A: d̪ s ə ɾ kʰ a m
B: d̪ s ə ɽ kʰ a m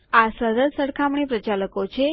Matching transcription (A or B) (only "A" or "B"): B